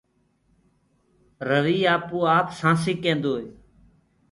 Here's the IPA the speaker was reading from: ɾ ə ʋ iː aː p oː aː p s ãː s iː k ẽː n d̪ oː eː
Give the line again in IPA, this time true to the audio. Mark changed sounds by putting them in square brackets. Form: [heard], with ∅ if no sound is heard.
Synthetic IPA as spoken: ɾ ə ʋ iː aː p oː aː p s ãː s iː k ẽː n d̪ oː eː